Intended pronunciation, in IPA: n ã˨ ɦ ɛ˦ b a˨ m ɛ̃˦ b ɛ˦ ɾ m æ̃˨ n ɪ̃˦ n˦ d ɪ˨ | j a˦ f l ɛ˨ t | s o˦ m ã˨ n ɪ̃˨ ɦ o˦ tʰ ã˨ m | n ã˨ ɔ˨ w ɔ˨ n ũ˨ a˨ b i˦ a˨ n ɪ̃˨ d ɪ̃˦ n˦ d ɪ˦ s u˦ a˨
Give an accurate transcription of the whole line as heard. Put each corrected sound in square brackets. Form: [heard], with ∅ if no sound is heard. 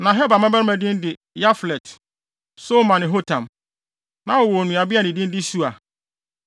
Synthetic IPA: n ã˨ ɦ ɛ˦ b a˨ m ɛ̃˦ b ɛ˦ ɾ m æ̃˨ [d] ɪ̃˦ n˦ d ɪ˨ | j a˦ f l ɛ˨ t | s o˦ m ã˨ n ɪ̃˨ ɦ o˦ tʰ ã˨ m | n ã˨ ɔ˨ w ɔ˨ n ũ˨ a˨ b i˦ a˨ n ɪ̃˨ d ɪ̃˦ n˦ d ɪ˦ s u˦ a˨